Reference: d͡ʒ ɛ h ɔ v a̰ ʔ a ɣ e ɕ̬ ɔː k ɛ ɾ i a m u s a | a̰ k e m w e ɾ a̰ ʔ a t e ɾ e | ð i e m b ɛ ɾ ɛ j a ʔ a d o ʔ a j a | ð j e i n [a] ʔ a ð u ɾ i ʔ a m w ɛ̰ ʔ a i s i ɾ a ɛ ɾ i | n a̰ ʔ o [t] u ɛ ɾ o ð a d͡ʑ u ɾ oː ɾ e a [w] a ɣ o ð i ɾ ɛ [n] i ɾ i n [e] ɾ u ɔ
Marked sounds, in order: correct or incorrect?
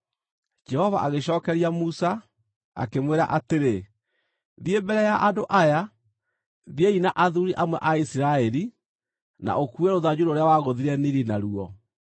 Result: correct, incorrect: k, correct, correct, incorrect: a

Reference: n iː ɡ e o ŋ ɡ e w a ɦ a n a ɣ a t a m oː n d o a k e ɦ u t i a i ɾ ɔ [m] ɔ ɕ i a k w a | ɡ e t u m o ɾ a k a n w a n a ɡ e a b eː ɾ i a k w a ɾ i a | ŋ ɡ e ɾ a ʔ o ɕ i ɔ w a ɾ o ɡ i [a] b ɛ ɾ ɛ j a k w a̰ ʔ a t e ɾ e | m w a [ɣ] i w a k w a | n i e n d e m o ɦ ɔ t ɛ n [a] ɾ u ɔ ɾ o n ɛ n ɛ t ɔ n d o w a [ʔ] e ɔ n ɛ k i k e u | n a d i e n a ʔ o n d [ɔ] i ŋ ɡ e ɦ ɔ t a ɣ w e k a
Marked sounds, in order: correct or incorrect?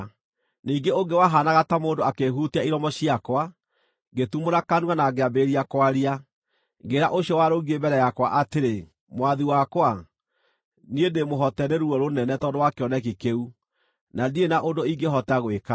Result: correct, incorrect: e, incorrect: ð, incorrect: e, incorrect: k, incorrect: o

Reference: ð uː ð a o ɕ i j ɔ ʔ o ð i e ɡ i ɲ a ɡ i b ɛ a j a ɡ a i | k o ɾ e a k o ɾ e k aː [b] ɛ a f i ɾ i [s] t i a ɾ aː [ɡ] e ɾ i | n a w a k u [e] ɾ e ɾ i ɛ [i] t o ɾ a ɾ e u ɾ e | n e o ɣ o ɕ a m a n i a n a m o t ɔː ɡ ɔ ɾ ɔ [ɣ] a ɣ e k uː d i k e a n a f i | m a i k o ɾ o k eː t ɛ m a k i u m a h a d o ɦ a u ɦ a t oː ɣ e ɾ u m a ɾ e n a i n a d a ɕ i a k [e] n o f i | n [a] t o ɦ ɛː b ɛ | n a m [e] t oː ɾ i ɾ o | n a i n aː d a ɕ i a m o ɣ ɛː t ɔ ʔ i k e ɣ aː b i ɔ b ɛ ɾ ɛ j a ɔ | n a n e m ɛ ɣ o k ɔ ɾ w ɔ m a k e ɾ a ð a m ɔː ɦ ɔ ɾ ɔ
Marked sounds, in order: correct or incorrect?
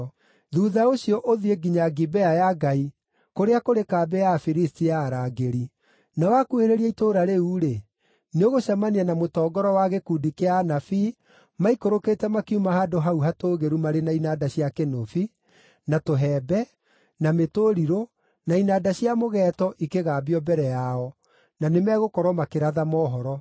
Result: correct, correct, correct, correct, correct, incorrect: w, correct, correct, correct

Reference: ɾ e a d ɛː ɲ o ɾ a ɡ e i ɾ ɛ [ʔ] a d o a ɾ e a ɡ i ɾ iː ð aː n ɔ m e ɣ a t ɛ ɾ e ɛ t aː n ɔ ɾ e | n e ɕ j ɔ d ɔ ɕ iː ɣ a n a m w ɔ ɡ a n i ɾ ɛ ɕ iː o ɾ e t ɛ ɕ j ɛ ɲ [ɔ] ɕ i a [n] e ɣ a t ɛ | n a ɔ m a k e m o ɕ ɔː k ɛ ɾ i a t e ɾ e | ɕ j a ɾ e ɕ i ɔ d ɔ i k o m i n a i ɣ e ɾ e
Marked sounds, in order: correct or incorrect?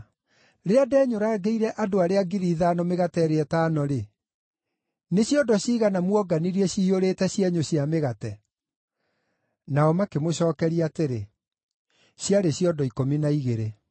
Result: correct, incorrect: o, incorrect: m

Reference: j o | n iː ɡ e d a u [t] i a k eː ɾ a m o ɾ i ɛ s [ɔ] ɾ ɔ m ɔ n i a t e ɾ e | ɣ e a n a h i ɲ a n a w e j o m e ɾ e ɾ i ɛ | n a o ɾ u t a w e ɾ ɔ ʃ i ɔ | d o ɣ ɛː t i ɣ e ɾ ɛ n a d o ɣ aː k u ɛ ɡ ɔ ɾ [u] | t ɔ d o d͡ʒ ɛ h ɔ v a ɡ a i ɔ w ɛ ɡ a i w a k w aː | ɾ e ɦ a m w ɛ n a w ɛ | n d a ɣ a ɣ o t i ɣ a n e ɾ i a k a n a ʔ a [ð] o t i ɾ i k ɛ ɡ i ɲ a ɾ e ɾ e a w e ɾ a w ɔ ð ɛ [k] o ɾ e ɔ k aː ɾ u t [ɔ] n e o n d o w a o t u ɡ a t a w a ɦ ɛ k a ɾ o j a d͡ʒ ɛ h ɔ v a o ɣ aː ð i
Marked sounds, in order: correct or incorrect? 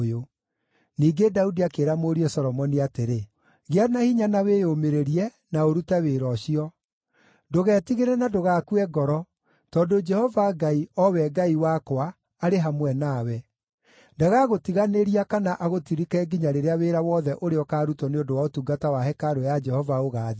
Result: incorrect: d, correct, incorrect: ɔ, incorrect: ɣ, incorrect: ʔ, correct

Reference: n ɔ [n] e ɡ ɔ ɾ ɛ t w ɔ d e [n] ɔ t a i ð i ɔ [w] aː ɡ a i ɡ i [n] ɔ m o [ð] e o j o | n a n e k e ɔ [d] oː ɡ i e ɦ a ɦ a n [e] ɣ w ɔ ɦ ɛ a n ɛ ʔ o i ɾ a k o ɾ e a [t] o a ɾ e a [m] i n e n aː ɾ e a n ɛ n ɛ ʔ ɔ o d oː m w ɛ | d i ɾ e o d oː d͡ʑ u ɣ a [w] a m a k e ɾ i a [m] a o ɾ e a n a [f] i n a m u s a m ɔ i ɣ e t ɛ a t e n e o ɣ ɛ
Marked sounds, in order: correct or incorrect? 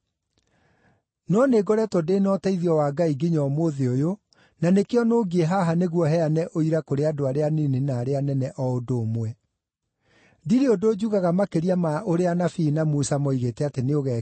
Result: correct, correct, correct, incorrect: ɲ, correct, incorrect: n, correct, incorrect: d, incorrect: n, incorrect: ɣ, correct, correct

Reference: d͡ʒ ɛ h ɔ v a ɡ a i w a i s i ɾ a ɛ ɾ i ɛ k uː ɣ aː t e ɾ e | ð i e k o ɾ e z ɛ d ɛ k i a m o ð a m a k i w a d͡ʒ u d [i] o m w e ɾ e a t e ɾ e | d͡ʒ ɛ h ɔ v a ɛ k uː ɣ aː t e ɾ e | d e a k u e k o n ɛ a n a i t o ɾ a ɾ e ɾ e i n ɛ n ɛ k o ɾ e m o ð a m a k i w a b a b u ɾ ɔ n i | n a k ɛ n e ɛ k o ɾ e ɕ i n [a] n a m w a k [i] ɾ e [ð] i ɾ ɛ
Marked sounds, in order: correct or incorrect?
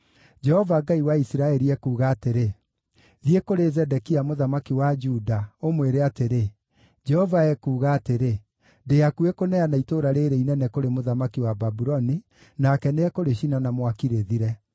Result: incorrect: a, correct, correct, correct

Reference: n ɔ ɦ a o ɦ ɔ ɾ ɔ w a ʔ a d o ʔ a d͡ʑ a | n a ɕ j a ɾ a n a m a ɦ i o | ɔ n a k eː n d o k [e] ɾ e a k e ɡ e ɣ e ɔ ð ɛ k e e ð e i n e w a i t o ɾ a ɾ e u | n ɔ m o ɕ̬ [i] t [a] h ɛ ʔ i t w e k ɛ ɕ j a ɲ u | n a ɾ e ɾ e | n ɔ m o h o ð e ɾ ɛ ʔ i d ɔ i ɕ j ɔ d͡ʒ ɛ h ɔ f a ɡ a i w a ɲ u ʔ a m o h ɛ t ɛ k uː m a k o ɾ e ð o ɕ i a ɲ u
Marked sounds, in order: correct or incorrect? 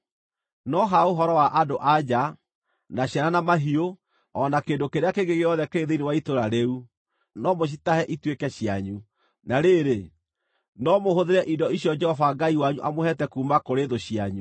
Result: correct, correct, correct

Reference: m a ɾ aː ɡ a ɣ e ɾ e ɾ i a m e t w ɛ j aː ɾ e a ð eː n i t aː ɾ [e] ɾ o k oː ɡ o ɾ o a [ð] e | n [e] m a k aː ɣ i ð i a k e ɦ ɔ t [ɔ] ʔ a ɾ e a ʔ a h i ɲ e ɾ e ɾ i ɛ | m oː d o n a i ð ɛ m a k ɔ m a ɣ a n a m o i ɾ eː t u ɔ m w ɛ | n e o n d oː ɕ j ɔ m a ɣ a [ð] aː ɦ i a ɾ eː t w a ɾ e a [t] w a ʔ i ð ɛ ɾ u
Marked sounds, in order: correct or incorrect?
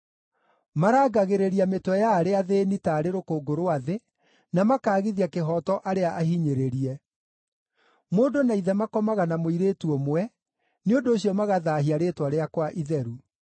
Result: correct, correct, incorrect: a, correct, correct, incorrect: k

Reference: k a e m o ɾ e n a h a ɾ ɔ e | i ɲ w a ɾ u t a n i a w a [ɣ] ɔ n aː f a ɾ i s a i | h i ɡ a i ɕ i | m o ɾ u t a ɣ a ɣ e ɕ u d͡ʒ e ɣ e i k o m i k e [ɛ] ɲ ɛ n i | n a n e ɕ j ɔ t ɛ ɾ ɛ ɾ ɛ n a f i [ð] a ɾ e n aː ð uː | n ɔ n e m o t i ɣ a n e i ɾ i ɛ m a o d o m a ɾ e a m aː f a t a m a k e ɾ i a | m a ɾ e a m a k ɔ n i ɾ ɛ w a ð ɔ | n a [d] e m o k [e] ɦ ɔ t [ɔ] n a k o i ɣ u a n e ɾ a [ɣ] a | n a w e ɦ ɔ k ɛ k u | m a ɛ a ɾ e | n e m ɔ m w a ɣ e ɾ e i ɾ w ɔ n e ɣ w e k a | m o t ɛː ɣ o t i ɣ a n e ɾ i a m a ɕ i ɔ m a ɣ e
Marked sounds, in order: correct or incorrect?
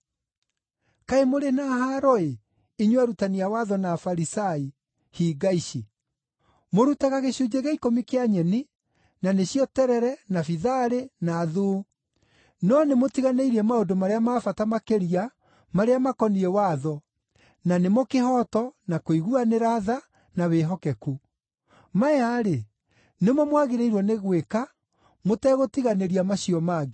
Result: incorrect: ð, incorrect: a, correct, incorrect: n, correct, correct, incorrect: ð

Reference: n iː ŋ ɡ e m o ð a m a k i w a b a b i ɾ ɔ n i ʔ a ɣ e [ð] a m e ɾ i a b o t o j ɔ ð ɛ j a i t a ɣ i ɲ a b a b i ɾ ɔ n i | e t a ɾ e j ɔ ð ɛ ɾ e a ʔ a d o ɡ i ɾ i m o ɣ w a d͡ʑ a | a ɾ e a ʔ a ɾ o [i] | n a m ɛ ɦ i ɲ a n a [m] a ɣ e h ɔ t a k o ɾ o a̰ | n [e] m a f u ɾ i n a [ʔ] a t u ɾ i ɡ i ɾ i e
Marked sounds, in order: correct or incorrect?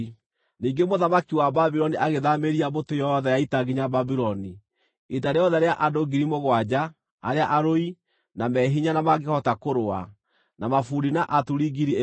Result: correct, correct, correct, incorrect: a, correct

